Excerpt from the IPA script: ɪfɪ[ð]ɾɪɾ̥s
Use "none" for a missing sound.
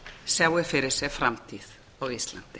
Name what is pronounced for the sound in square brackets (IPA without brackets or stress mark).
none